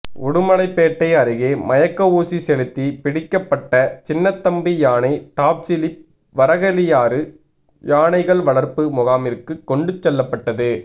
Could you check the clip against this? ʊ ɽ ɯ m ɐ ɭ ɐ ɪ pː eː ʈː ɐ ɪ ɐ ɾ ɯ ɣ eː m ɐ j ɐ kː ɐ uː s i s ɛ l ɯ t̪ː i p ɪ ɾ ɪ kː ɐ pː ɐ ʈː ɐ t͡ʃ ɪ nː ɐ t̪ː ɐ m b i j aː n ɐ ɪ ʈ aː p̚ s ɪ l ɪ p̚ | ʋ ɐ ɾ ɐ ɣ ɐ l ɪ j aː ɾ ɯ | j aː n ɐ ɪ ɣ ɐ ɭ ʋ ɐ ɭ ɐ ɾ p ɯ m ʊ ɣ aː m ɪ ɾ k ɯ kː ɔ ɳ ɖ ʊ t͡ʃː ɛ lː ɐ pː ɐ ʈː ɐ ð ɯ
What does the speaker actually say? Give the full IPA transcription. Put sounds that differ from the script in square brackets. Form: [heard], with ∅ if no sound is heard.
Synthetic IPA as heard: ʊ ɽ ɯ m ɐ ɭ ɐ ɪ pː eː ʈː ɐ ɪ ɐ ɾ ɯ ɣ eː m ɐ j ɐ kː ɐ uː s i s ɛ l ɯ t̪ː i p ɪ [ɽ] ɪ kː ɐ pː ɐ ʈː ɐ t͡ʃ ɪ nː ɐ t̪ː ɐ m b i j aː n ɐ ɪ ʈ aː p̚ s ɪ l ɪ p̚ | ʋ ɐ ɾ ɐ ɣ ɐ l ɪ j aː ɾ ɯ | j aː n ɐ ɪ ɣ ɐ ɭ ʋ ɐ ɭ ɐ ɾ p ɯ m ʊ ɣ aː m ɪ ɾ k ɯ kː ɔ ɳ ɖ [ɯ] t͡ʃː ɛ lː ɐ pː ɐ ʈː ɐ ð ɯ